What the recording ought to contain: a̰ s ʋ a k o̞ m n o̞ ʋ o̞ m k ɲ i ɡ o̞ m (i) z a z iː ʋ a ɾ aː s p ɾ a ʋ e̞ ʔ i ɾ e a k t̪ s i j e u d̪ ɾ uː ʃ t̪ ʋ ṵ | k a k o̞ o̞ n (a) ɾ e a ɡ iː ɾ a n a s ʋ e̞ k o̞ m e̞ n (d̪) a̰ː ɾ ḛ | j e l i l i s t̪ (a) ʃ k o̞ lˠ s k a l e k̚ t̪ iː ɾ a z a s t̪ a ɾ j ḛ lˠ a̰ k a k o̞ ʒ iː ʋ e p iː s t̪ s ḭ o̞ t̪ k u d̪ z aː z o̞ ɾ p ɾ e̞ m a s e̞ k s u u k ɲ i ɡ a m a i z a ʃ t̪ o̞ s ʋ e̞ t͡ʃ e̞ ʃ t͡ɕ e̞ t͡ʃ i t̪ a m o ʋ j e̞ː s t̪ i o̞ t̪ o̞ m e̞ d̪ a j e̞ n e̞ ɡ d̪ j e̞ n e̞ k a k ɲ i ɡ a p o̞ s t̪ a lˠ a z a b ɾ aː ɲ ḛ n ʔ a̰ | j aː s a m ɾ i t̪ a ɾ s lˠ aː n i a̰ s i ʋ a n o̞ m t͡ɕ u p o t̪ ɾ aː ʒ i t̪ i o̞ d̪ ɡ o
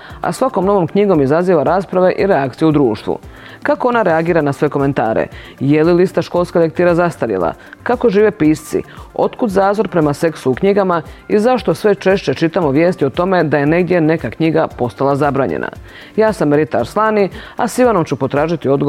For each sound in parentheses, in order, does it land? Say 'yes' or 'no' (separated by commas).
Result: yes, yes, no, yes